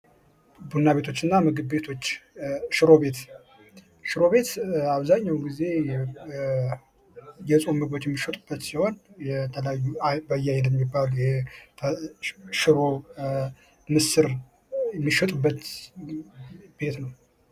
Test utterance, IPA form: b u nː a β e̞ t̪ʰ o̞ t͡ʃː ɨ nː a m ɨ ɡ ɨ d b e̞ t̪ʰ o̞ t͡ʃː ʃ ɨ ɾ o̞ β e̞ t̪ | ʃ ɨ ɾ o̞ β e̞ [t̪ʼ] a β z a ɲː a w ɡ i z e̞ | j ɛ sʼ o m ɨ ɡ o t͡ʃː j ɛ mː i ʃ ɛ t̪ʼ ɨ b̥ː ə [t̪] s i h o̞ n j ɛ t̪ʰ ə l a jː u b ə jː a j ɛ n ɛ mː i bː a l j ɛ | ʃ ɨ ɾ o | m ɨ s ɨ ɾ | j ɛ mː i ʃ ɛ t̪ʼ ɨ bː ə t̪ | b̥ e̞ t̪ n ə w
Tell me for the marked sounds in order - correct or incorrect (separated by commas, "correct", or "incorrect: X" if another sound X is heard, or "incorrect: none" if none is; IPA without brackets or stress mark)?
incorrect: t̪, correct